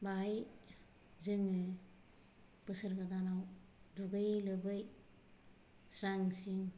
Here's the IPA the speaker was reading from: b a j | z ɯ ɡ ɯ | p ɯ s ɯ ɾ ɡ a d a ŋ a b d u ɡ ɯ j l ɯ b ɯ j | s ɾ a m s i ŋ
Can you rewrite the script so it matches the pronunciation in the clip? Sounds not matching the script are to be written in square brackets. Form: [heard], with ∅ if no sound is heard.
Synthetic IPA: b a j | z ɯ [ŋ] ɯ | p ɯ s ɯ ɾ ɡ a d a [n] a [w] d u ɡ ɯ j l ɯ b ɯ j | s ɾ a [ŋ] s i ŋ

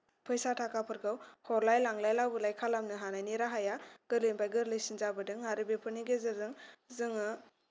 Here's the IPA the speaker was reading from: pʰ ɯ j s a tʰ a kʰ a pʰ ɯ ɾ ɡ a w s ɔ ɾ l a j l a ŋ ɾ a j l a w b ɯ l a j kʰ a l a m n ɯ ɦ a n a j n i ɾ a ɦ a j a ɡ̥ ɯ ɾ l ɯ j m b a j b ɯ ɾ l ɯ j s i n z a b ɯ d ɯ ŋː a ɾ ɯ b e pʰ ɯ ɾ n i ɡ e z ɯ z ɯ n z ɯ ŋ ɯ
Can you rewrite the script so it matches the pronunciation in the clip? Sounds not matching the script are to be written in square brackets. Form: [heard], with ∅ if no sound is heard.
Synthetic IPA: pʰ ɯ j s a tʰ a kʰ a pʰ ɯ ɾ ɡ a w [h] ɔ ɾ l a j l a ŋ [l] a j l a w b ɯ l a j kʰ a l a m n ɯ ɦ a n a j n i ɾ a ɦ a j a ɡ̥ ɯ ɾ l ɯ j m b a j [ɡ] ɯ ɾ l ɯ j s i n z a b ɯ d ɯ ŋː a ɾ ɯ b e pʰ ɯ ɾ n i ɡ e z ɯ z ɯ [ŋ] z ɯ ŋ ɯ

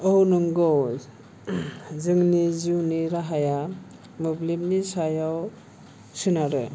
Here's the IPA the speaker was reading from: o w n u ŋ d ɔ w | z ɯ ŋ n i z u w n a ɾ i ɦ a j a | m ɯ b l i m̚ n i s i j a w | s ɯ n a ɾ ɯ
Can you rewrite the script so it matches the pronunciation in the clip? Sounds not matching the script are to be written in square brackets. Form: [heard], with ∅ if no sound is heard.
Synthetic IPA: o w n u ŋ [ɡ] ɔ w | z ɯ ŋ n i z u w n [i] ɾ [a] ɦ a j a | m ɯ b l i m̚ n i s [a] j a w | s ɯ n a ɾ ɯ

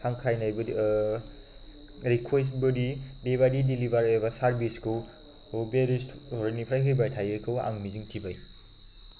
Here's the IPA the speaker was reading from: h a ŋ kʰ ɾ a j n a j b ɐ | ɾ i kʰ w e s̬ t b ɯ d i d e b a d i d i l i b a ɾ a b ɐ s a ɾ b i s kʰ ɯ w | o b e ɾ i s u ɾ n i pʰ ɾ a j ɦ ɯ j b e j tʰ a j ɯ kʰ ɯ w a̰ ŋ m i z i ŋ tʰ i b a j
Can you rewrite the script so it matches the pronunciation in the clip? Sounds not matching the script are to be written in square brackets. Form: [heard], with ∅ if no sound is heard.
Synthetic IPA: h a ŋ kʰ ɾ a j n a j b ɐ | ɾ i kʰ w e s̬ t b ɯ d i d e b a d i d i l i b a ɾ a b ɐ s a ɾ b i s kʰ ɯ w | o b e ɾ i s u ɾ n i pʰ ɾ a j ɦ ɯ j b [a] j tʰ a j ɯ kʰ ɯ w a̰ ŋ m i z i ŋ tʰ i b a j

